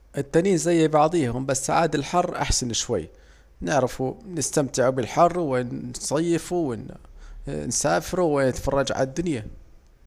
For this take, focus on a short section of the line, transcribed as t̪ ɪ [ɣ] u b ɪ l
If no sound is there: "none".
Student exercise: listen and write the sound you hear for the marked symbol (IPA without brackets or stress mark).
ʕ